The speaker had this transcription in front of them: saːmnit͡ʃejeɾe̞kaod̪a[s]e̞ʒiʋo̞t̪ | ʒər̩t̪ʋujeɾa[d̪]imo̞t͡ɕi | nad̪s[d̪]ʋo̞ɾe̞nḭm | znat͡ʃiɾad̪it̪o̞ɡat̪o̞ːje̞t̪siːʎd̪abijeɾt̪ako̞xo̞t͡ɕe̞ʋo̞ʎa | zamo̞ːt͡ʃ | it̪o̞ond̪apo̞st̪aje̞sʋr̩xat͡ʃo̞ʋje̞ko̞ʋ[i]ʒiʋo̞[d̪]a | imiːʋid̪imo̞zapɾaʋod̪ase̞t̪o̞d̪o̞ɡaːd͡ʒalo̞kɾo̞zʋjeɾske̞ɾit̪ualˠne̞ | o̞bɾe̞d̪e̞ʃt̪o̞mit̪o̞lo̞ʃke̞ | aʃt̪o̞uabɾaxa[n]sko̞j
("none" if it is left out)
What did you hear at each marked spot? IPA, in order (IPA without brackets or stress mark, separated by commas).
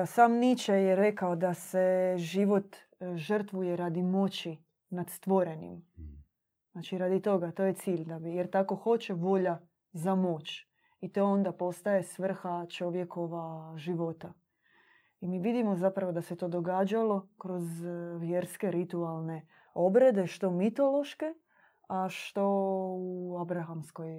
s, d̪, t̪, a, t̪, m